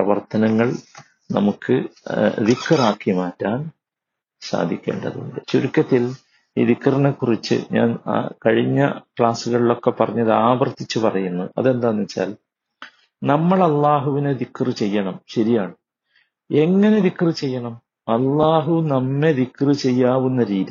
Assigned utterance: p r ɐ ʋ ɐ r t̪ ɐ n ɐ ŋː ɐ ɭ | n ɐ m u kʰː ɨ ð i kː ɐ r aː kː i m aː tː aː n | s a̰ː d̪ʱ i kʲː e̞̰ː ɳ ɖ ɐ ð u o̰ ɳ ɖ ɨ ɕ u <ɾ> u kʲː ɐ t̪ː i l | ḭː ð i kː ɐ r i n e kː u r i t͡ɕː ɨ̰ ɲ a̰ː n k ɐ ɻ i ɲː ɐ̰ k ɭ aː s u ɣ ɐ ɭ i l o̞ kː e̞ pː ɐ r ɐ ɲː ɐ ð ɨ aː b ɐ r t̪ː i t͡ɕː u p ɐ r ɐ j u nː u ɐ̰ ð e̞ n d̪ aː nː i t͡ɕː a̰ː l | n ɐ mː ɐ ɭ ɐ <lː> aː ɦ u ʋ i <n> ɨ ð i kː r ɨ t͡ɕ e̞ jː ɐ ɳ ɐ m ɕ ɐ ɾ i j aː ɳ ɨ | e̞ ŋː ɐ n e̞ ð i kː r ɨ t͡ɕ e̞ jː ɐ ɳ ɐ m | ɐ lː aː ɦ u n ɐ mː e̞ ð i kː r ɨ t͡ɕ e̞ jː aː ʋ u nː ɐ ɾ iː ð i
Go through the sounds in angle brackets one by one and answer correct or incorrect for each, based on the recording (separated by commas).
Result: correct, correct, correct